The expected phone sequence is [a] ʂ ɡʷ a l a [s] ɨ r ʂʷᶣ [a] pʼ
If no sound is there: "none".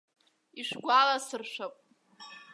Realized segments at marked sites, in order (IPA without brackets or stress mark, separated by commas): i, s, a